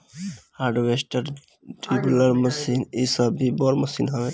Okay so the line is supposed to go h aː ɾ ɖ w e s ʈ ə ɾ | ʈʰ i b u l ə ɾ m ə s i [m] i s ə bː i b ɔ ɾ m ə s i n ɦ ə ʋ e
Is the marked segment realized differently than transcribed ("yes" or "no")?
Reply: yes